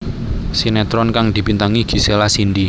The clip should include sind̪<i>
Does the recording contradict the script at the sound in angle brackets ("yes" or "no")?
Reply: no